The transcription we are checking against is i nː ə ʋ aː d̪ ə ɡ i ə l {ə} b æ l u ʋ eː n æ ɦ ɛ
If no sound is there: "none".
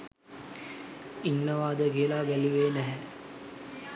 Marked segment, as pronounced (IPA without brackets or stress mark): a